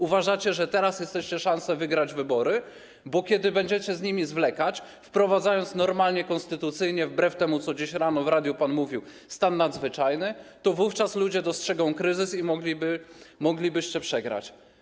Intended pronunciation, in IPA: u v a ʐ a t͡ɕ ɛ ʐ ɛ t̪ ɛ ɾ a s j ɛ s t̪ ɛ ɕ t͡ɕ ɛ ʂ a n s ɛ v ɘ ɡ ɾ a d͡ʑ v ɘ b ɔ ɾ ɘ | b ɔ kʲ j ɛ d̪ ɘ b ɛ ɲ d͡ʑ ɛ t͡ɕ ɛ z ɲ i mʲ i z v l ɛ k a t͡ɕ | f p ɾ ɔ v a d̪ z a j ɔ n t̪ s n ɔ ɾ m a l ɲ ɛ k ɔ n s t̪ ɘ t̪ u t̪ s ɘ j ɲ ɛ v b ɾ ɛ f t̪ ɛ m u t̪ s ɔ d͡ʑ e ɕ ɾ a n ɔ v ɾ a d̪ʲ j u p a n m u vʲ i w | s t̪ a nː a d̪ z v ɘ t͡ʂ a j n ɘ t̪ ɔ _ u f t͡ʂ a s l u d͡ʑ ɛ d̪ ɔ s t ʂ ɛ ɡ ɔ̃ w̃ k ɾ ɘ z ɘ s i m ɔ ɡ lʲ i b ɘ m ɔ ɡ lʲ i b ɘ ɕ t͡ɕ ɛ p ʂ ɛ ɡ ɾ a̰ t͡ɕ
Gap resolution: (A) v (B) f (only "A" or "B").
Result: A